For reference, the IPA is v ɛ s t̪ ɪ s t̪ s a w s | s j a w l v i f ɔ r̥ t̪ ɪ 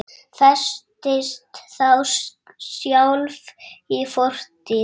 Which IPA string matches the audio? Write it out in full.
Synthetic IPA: f ɛ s t̪ ɪ s t̪ θ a w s | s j a w l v i f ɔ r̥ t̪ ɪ

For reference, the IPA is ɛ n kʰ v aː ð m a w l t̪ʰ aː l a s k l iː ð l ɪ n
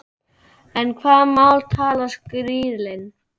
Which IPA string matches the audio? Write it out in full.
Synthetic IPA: ɛ n kʰ v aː ð m a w l t̪ʰ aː l a s k ɾ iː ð l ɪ n

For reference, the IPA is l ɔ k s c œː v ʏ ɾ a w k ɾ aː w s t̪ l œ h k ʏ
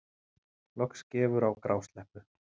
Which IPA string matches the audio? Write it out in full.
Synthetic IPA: l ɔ k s c ɛː v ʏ ɾ a w k ɾ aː w s t̪ l ɛ h p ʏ

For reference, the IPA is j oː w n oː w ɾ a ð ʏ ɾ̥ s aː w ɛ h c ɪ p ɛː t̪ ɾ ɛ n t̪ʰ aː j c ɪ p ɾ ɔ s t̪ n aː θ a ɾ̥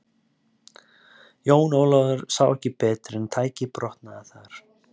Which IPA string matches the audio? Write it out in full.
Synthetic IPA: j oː w n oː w l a ð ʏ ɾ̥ s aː w ɛ h c ɪ p ɛː t̪ ɾ ɛ n t̪ʰ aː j c ɪ p ɾ ɔ h t̪ n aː θ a ɾ̥

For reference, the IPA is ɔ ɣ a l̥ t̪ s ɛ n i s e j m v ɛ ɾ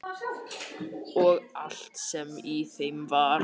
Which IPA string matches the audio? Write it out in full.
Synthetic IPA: ɔ ɣ a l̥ t̪ s ɛ m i θ e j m v a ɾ

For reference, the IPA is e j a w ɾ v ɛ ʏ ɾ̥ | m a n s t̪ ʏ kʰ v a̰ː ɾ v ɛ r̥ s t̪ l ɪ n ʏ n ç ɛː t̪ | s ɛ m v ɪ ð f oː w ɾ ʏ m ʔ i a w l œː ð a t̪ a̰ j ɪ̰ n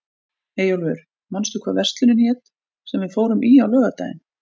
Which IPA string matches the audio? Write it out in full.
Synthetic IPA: e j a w l v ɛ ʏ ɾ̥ | m a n s t̪ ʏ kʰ v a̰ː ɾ v ɛ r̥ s t̪ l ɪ n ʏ n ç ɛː t̪ | s ɛ m v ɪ ð f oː w ɾ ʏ m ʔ i a w l œː ɣ a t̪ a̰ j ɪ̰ n

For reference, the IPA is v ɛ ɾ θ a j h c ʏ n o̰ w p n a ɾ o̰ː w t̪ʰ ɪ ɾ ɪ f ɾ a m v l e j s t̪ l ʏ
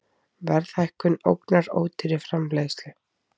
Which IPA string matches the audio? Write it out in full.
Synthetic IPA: v ɛ ɾ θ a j h k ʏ n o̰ w k n a ɾ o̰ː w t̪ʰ ɪ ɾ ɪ f ɾ a m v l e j s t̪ l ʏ

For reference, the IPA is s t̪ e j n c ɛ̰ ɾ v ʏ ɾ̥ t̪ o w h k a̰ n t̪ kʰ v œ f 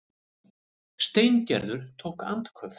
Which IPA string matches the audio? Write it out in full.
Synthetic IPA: s t̪ e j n c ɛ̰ ɾ ð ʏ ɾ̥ t̪ʰ o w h k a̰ n t̪ kʰ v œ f

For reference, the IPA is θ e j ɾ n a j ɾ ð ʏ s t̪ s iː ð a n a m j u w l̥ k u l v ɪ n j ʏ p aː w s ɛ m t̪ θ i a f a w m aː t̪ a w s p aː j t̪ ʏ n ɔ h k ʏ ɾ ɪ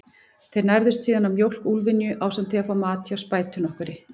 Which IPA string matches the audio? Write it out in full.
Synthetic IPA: θ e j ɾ n a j ɾ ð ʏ s t̪ s iː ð a n a m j o w l̥ k u l v ɪ n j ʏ ʔ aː w s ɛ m t̪ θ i a f a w m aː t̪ a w s p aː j t̪ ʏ n ɔ h k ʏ ɾ ɪ

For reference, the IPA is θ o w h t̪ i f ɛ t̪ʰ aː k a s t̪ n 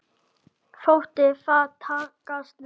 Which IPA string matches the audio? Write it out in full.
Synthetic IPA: f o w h t̪ ɪ f a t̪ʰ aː k a s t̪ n

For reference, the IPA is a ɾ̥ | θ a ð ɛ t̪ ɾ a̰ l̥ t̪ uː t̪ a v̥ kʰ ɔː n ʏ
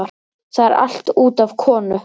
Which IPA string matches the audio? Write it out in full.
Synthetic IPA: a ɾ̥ | θ a ð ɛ ɾ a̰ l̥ t̪ uː t̪ a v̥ kʰ ɔː n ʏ

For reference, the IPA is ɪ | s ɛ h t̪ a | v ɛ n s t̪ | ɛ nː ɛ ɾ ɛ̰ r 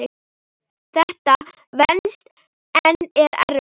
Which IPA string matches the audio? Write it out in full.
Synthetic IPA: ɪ | θ ɛ h t̪ a | v ɛ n s t̪ | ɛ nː ɛ ɾ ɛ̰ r

